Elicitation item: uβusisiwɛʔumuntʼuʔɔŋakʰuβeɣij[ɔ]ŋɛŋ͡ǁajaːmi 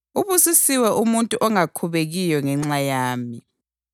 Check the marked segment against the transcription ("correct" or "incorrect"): correct